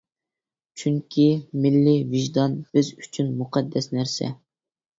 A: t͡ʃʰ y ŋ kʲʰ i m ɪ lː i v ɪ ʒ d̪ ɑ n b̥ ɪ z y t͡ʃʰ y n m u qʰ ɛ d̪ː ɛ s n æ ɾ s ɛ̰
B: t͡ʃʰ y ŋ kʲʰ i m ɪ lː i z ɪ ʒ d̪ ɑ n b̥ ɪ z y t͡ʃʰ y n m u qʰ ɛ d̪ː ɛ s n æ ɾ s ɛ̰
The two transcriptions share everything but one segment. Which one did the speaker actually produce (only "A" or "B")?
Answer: A